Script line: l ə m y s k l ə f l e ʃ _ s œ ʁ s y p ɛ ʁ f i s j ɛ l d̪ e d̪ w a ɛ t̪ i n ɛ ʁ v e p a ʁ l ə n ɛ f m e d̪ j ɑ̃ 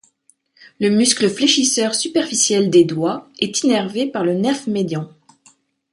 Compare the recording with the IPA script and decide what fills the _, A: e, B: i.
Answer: B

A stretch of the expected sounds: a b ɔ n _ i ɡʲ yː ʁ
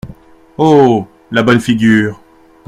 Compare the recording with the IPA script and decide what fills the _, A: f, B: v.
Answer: A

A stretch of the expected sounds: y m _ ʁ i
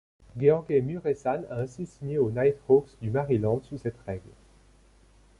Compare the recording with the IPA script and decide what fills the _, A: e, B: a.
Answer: B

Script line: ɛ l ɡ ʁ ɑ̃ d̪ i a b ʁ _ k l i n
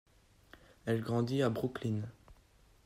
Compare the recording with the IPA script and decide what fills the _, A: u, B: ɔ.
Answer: A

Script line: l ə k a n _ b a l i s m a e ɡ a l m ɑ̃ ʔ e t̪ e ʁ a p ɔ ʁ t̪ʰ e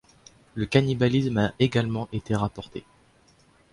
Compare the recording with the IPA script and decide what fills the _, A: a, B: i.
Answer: B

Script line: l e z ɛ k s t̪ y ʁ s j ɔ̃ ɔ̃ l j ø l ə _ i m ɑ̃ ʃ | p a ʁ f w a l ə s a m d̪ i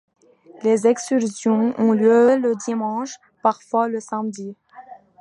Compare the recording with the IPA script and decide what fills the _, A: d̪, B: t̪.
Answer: A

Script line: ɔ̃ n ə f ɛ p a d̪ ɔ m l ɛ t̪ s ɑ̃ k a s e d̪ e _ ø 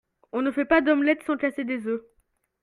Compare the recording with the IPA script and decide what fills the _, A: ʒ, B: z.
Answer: B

